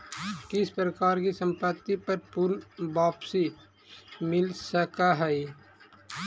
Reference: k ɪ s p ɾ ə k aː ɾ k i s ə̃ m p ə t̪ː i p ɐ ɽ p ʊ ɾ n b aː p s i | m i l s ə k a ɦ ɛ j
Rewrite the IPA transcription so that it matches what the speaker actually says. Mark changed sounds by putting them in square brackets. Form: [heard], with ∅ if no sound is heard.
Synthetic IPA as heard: k ɪ s p ɾ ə k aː ɾ k i s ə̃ m p ə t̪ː i p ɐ [ɾ] p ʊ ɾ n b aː p s i | m [ɪ] l s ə k a ɦ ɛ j

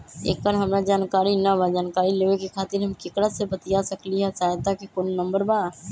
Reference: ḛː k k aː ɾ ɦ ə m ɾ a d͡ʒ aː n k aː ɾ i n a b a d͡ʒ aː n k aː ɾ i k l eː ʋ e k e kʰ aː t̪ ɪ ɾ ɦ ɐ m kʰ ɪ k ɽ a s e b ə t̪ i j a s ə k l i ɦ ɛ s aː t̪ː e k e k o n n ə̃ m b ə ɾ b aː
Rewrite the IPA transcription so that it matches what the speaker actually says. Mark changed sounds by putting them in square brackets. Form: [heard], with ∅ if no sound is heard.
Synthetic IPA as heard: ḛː k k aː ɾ ɦ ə m ɾ a d͡ʒ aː n k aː ɾ i n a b a d͡ʒ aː n k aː ɾ i [∅] l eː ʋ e k e kʰ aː t̪ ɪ ɾ ɦ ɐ m [k] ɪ k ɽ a s e b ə t̪ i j a s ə k l i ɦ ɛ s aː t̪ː [a] k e k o n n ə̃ m b ə ɾ b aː

